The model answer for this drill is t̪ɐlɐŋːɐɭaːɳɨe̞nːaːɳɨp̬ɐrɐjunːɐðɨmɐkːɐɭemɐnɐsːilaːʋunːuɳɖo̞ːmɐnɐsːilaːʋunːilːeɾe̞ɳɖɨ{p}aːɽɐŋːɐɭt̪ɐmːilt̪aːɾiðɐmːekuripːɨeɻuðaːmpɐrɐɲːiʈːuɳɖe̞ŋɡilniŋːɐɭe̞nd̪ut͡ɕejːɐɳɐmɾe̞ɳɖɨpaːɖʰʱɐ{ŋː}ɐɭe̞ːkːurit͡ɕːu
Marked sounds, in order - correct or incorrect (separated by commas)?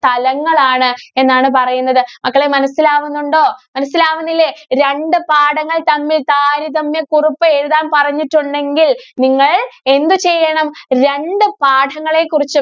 correct, correct